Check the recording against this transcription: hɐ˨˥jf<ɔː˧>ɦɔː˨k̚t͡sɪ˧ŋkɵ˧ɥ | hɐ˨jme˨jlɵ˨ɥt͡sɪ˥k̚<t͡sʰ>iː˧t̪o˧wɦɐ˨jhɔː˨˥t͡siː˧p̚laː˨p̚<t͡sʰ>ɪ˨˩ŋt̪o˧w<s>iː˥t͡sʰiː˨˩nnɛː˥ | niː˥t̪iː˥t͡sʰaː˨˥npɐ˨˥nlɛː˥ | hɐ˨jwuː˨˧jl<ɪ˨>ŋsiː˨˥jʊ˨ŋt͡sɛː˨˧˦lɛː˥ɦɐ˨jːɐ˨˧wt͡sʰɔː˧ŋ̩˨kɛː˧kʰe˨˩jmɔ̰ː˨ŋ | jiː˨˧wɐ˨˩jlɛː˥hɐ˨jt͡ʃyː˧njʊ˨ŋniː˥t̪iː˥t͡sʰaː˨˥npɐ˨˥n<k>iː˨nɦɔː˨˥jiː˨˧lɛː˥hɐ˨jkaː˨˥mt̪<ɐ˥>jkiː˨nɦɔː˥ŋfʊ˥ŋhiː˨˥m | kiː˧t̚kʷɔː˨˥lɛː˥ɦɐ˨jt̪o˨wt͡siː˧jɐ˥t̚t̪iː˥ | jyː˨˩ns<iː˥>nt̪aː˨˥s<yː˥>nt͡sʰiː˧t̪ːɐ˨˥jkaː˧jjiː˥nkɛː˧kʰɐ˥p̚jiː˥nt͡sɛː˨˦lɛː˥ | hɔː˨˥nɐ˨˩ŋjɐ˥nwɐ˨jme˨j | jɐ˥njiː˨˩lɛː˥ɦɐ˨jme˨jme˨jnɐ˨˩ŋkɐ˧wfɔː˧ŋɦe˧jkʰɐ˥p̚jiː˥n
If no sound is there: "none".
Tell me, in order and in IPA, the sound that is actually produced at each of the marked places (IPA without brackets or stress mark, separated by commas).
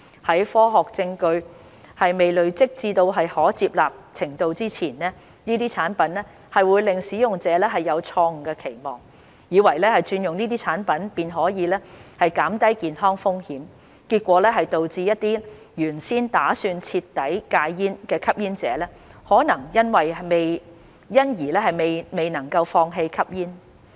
ɔː˥, t͡s, t͡sʰ, t͡s, ɪ˨, p, ɐ˥, iː˥, yː˧